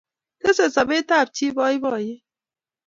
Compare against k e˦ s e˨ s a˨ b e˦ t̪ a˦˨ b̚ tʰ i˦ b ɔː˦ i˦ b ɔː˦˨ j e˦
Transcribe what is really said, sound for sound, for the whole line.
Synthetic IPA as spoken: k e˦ s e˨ s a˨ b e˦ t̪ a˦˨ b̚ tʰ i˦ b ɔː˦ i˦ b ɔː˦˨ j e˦

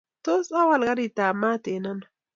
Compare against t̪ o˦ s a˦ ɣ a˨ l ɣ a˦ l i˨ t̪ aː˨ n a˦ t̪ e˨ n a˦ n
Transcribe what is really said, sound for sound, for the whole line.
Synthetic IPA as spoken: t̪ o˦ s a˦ w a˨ l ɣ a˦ ɾ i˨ t̪ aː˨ m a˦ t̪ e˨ n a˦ n

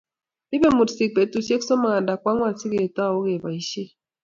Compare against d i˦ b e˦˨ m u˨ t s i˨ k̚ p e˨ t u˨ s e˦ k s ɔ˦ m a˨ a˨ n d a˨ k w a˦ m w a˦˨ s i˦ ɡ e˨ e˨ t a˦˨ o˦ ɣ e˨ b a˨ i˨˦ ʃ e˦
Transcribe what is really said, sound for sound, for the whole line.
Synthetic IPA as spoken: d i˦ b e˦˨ m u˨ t s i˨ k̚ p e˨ t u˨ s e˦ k s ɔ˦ m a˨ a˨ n d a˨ k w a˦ ŋ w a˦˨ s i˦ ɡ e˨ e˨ t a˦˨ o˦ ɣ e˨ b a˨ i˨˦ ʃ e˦

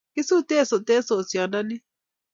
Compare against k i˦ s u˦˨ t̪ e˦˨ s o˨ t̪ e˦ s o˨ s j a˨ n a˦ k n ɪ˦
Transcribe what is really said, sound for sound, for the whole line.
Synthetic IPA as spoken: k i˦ s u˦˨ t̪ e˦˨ s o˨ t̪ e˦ s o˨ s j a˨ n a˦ n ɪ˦

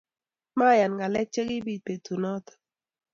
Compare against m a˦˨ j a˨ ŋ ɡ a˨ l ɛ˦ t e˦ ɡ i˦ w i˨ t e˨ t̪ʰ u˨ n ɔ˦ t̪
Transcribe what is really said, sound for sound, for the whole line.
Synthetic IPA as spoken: m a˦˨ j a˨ n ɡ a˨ l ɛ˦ t͡ʃ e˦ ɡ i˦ b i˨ p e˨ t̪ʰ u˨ n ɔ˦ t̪

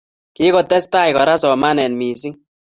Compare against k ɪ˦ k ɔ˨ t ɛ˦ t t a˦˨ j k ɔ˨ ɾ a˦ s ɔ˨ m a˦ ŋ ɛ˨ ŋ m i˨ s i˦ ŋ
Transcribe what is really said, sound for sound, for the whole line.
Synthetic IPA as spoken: k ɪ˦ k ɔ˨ t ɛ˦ s t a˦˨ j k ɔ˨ ɾ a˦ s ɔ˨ m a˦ n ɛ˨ n m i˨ s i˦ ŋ

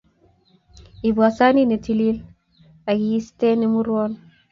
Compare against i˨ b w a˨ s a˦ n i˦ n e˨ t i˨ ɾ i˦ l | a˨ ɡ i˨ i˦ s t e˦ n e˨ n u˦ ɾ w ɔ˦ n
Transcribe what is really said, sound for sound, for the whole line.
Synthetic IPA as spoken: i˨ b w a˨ s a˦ n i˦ n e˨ t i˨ l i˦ l | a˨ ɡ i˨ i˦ s t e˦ n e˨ m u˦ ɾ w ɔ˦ n

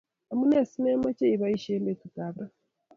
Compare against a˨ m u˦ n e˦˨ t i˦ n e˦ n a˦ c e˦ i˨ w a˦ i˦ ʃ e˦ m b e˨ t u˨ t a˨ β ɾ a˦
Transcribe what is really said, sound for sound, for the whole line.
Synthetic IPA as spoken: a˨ m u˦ n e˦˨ s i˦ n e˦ m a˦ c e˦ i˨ β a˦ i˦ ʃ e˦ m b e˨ t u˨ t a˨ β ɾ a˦

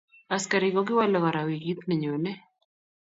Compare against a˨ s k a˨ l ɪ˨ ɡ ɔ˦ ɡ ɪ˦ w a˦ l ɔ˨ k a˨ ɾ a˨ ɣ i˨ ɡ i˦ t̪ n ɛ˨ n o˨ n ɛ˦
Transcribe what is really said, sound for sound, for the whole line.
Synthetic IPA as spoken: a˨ s k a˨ ɾ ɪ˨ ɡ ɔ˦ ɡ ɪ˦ w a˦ l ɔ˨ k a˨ ɾ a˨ w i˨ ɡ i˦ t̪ n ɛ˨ ɲ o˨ n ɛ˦

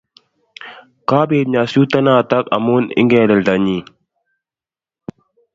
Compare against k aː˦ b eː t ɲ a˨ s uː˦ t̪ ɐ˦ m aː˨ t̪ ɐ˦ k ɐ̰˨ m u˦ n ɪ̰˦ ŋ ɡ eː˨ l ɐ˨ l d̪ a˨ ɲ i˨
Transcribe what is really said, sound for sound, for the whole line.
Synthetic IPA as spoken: k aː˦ b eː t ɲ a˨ s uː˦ t̪ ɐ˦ n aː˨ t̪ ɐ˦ k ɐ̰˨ m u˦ n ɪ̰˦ ŋ ɡ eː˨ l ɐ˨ l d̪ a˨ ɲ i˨

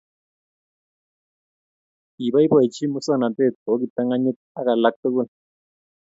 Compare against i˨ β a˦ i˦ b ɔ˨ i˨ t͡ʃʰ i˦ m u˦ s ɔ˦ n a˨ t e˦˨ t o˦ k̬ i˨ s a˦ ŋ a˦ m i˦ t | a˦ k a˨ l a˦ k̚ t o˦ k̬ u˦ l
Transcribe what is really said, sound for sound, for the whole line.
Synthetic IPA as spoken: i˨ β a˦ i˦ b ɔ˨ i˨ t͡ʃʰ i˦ m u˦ s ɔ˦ n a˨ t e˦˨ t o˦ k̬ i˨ t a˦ ŋ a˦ ɲ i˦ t | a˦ k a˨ l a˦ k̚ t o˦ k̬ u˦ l

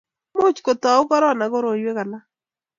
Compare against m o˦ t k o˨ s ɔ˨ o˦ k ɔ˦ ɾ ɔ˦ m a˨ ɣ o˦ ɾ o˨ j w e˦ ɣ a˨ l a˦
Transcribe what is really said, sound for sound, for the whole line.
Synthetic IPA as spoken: m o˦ t͡ʃ k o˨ t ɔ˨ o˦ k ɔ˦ ɾ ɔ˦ n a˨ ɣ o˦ ɾ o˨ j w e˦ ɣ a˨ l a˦

